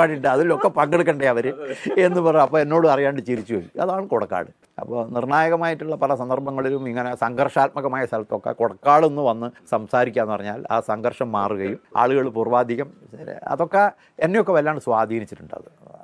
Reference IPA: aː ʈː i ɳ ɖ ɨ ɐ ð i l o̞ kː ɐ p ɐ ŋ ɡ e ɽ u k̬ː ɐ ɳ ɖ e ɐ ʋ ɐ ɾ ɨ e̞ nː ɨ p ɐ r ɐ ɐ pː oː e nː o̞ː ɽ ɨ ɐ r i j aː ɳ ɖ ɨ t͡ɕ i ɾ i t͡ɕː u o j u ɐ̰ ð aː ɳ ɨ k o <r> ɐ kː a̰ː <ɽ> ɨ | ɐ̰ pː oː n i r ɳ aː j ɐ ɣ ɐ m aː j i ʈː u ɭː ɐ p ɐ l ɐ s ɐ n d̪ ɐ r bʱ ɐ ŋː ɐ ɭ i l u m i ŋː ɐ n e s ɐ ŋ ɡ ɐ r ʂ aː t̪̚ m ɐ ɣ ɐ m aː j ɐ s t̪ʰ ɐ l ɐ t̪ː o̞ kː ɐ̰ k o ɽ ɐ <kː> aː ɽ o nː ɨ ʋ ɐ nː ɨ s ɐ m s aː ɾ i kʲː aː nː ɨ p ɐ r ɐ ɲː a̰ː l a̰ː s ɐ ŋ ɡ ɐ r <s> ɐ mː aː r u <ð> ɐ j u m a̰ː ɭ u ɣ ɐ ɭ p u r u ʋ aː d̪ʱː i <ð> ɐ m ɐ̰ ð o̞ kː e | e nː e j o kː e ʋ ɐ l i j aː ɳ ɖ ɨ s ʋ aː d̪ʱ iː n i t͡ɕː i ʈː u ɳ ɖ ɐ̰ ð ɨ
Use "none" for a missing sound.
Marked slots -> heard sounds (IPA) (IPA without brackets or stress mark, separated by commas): ɽ, ɽ, kː, ʂ, ɣ, ɣ